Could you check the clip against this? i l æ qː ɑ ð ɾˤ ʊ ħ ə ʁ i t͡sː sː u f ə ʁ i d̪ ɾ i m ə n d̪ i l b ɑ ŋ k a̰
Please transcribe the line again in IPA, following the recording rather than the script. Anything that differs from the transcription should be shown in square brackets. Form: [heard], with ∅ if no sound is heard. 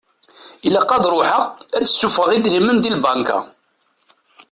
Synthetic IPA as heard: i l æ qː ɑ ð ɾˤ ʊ ħ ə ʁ [æ] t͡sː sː u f ə ʁ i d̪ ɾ i m ə n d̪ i l b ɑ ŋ k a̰